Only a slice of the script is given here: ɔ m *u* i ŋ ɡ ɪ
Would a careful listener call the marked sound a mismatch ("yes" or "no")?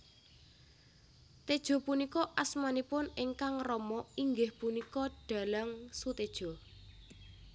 yes